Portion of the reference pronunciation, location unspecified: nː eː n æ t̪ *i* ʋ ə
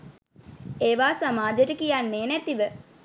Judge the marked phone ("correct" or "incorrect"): correct